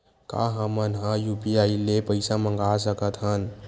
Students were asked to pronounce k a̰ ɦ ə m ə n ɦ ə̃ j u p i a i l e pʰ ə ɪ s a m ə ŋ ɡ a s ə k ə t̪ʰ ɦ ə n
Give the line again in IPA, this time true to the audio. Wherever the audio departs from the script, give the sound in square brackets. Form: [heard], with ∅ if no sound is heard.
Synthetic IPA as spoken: k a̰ ɦ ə m ə n ɦ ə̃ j u p i a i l e [p] ə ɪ s a m ə ŋ ɡ a s ə k ə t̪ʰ ɦ ə n